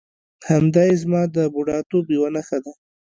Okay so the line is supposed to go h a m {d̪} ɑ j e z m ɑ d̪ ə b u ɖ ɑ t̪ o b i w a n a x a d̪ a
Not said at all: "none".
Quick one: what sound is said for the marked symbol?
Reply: d̪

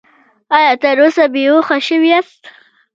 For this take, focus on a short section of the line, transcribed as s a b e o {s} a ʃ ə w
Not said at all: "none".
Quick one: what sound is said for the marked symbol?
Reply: x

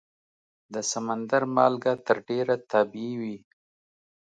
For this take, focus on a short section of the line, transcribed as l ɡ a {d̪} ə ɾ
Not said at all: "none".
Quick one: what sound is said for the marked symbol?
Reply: t̪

